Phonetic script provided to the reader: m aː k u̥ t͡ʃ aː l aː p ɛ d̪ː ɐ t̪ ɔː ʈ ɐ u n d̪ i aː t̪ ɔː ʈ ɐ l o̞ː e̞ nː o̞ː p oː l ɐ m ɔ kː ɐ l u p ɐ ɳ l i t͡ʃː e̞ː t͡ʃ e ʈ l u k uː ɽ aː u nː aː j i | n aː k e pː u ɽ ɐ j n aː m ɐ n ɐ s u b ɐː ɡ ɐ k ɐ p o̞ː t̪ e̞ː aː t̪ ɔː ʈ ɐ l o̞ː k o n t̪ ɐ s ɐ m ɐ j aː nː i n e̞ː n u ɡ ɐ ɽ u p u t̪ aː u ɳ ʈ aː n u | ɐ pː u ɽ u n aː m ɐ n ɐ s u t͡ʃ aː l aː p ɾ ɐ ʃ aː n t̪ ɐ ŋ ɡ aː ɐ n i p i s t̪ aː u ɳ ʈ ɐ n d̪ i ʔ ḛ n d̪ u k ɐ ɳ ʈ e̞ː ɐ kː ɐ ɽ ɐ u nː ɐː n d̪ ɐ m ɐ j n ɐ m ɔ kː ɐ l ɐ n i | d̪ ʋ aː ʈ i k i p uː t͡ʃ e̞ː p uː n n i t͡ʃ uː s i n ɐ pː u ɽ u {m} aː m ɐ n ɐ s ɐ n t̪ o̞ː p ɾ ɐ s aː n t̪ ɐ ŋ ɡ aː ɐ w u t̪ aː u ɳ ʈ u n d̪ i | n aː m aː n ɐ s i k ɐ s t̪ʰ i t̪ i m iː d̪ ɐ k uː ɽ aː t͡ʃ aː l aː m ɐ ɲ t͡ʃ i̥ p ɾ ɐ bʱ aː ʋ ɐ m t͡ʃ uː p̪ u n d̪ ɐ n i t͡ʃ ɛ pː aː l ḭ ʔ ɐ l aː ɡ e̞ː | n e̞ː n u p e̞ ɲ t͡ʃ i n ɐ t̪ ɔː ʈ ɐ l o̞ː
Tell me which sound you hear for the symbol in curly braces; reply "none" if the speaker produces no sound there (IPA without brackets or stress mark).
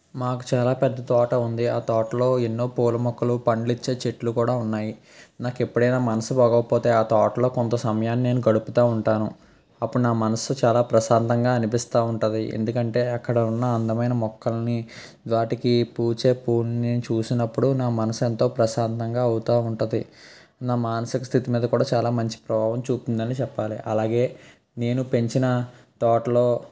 n